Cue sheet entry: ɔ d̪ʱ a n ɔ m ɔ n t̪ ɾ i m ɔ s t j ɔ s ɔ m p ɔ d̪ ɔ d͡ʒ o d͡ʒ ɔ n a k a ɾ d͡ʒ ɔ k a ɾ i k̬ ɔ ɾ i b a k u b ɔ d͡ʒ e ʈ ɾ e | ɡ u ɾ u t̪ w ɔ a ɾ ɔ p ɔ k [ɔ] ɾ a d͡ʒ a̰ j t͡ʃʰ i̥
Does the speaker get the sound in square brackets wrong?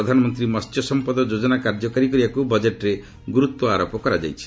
no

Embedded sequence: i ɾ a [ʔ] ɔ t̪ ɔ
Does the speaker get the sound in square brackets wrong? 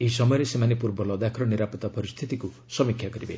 yes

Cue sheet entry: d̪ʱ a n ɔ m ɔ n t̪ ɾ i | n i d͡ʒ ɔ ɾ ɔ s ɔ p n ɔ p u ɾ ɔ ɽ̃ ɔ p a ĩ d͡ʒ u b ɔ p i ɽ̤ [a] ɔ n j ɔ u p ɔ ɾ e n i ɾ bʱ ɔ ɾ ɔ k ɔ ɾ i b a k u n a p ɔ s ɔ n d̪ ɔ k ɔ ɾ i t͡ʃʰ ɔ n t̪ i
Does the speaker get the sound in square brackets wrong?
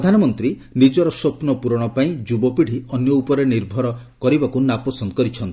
yes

